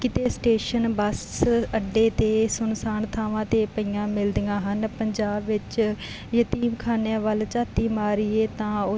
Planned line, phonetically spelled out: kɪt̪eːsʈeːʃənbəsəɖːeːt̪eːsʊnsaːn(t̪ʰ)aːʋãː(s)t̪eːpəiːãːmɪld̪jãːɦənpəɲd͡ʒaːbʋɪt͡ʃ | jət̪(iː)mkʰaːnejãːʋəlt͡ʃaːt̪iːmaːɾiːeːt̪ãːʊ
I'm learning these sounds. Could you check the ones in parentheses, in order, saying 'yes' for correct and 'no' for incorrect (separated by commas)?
yes, no, yes